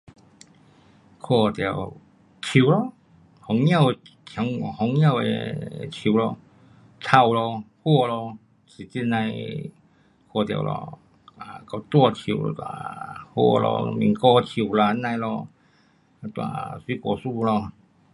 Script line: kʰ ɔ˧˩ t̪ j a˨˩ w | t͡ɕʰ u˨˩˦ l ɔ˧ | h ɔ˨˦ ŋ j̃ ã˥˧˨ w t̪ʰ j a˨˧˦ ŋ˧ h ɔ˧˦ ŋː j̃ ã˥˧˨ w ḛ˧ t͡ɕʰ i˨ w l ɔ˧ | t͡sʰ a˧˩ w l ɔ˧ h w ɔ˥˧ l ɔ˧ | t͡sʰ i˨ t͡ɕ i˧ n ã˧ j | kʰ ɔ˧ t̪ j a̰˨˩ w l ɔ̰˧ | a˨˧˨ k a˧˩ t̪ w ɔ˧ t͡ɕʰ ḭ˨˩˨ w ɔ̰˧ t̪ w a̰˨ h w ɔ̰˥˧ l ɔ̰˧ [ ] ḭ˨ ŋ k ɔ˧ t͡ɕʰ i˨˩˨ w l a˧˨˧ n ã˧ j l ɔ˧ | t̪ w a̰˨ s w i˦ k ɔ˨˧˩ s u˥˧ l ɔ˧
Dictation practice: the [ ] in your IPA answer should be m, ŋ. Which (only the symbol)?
m